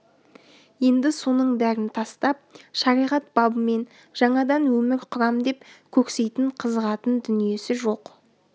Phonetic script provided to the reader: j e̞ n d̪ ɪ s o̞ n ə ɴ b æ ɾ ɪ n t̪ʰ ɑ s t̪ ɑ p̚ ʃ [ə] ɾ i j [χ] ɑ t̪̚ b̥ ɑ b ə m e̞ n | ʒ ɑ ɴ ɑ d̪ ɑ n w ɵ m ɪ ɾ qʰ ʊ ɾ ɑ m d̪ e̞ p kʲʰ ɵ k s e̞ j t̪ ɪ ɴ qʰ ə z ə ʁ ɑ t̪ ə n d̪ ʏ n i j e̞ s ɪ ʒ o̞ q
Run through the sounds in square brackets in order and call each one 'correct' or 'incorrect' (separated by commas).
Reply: incorrect, incorrect